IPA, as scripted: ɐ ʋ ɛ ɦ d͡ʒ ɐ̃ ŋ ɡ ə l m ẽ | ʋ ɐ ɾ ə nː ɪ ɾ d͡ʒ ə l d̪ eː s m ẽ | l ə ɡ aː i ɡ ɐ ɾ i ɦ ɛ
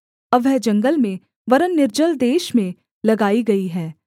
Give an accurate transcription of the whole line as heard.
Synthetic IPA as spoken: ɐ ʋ ɛ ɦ d͡ʒ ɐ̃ ŋ ɡ ə l m ẽ | ʋ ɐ ɾ ə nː ɪ ɾ d͡ʒ ə l d̪ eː ʃ m ẽ | l ɐ ɡ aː i ɡ ɐ i ɦ ɛː